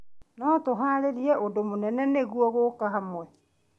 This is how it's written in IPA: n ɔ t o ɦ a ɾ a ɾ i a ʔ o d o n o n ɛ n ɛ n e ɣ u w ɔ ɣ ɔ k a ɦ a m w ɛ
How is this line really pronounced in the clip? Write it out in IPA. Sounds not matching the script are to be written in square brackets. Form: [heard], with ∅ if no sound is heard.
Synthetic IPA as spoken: n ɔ t o ɦ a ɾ [e] ɾ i [ɛ] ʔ o d o [m] o n ɛ n ɛ n e ɣ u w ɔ ɣ [o] k a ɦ a m w ɛ